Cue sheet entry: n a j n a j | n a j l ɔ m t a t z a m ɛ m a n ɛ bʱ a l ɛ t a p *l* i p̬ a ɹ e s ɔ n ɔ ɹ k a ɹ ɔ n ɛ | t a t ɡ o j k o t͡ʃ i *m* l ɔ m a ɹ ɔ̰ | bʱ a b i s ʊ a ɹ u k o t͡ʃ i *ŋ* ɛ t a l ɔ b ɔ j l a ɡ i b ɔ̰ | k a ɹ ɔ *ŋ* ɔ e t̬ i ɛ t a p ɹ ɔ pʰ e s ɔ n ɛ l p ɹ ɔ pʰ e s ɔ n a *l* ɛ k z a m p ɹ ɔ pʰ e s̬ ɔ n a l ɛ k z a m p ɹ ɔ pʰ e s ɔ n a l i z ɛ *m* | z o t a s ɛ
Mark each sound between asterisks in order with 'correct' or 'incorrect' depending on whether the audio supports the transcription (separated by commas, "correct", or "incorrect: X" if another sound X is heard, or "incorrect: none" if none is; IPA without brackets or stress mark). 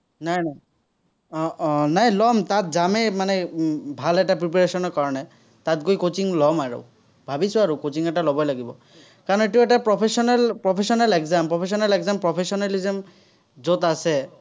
incorrect: ɹ, incorrect: ŋ, correct, incorrect: n, correct, correct